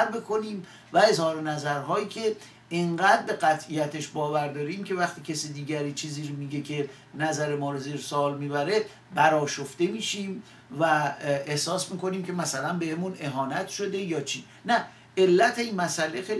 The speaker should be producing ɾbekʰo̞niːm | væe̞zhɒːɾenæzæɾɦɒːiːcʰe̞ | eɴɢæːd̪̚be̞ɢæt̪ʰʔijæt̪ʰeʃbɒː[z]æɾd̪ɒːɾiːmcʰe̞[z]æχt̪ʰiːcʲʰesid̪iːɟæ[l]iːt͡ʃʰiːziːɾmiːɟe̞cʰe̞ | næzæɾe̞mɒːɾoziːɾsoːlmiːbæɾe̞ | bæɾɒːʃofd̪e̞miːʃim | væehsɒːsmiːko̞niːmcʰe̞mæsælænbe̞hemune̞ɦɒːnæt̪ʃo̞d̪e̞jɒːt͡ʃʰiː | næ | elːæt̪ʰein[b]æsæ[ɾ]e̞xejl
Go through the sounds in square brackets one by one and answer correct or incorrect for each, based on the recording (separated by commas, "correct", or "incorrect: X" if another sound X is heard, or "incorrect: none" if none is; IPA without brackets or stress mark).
incorrect: v, incorrect: v, incorrect: ɾ, incorrect: m, incorrect: l